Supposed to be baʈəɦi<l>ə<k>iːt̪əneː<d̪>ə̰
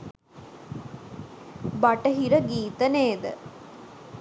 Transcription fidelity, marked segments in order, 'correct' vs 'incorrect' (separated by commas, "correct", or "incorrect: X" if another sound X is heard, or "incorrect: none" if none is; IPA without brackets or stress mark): incorrect: ɾ, incorrect: ɡ, correct